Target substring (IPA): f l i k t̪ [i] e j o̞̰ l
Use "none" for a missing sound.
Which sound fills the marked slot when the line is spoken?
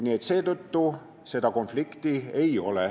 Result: i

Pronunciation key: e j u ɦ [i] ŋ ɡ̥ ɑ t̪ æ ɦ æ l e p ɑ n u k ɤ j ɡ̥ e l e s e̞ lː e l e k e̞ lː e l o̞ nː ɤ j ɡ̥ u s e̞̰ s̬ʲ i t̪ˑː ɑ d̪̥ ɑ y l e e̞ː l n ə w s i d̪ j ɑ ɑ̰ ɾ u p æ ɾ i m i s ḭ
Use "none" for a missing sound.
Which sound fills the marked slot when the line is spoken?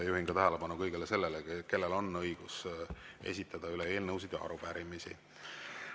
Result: i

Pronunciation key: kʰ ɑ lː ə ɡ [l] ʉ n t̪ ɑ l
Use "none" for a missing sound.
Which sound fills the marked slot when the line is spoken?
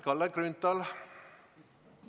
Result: ɾ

